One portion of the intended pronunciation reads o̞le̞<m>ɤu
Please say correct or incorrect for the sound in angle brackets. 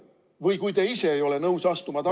incorrect